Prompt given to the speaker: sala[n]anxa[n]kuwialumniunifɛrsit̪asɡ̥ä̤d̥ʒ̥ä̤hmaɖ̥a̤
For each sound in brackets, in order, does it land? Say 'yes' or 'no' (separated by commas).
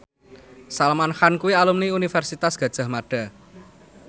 no, yes